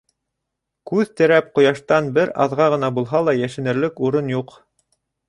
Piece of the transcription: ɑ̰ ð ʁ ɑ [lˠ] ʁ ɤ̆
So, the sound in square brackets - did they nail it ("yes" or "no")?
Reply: no